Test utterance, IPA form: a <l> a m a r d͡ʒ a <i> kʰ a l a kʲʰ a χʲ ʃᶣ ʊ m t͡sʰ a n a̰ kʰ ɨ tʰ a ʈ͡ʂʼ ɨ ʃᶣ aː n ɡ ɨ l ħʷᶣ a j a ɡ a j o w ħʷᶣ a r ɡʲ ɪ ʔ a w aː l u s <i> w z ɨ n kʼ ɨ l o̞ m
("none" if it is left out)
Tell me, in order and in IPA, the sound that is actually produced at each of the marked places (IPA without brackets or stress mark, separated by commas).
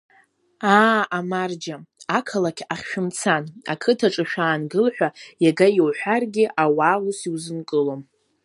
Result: none, a, i